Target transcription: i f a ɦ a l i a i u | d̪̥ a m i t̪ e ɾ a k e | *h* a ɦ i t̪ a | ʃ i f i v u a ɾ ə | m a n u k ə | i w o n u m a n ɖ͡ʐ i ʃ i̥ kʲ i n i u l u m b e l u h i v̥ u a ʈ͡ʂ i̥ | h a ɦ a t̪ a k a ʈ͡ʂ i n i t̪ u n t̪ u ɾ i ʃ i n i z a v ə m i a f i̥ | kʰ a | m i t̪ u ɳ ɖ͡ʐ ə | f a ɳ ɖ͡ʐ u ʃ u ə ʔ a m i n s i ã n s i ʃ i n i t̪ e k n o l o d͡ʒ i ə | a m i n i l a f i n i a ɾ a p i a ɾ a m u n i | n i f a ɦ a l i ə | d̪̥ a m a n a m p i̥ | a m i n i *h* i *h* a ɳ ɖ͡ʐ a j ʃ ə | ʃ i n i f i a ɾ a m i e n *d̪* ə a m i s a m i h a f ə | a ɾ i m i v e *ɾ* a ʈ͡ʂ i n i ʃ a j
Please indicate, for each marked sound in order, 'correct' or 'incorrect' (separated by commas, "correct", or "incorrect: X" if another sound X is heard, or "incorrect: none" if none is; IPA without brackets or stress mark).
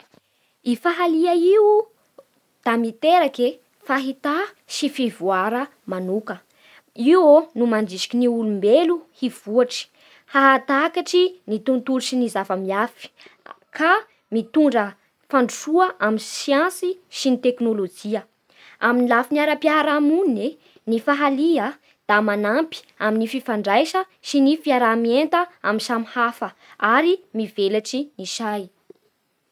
incorrect: f, incorrect: f, incorrect: f, incorrect: t̪, incorrect: l